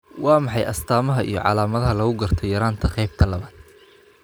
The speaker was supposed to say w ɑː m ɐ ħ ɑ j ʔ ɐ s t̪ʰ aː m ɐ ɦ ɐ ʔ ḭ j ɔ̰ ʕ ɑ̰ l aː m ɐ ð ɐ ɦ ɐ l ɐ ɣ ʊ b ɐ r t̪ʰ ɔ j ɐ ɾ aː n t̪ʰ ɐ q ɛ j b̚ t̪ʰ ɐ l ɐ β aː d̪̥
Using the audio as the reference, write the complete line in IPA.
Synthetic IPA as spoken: w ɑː m ɑ ħ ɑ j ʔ ɐ s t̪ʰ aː m ɐ ɦ ɐ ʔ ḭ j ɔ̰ ʕ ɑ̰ l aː m ɐ ð ɐ ɦ ɐ l ɐ ɣ ʊ ɡ ɐ r t̪ʰ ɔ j ɐ ɾ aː n t̪ʰ ɐ q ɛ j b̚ t̪ʰ ɐ l ɐ β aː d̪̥